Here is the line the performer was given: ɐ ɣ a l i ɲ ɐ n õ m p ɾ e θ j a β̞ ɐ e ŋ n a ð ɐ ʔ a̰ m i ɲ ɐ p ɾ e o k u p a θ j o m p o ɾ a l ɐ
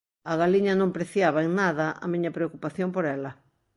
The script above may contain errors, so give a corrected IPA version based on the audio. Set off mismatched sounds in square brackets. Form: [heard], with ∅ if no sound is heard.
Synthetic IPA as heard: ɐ ɣ a l i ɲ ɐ n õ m p ɾ e θ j a β̞ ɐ e ŋ n a ð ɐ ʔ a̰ m i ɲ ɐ p ɾ e o k u p a θ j o m p o ɾ [ɛ] l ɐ